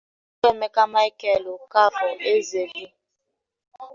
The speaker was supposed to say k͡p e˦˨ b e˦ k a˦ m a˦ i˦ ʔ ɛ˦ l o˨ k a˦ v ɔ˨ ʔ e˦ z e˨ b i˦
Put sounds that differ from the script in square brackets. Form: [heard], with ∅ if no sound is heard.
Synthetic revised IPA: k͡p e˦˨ [m] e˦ k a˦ m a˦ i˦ [k] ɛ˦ l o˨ k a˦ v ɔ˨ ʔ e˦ z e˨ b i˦